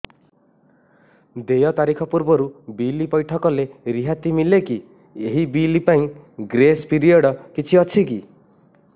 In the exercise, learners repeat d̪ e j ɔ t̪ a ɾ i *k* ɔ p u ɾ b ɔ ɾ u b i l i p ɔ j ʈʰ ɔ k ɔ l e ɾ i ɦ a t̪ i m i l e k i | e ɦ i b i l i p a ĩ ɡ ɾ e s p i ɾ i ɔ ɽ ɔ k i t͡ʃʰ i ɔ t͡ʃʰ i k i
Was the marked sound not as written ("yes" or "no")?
yes